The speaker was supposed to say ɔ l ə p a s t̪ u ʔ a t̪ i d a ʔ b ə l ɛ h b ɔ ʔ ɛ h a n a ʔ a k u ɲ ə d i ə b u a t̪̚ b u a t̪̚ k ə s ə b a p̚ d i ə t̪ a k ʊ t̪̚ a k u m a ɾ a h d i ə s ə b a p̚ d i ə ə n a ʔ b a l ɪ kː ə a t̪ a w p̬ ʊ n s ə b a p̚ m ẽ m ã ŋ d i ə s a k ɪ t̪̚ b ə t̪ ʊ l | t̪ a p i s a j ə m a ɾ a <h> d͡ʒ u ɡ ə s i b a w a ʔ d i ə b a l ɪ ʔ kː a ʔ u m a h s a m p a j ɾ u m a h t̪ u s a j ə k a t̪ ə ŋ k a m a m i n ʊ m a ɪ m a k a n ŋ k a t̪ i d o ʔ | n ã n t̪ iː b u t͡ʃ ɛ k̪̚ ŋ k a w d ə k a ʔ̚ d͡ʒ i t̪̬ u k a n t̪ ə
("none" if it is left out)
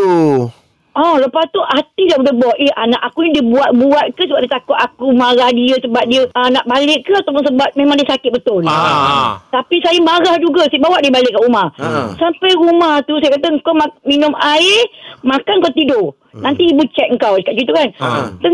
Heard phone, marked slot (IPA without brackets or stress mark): h